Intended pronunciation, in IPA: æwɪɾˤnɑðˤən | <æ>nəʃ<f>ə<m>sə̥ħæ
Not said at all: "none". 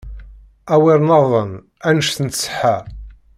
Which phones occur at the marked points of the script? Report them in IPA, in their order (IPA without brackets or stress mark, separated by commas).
æ, θ, n